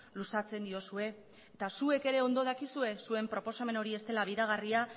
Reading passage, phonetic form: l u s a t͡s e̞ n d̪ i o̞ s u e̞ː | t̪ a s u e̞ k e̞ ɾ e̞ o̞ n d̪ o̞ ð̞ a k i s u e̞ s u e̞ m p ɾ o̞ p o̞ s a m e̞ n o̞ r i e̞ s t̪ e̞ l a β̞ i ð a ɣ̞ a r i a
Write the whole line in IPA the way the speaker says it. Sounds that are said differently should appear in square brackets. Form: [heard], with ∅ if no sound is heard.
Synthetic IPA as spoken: l u s a t͡s e̞ n d̪ i o̞ s u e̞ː | t̪ a s u e̞ k e̞ ɾ e̞ o̞ n d̪ o̞ ð̞ a k i s u e̞ s u e̞ m p ɾ o̞ p o̞ s a m e̞ n o̞ [ɾ] i e̞ s t̪ e̞ l a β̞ i ð a ɣ̞ a r i a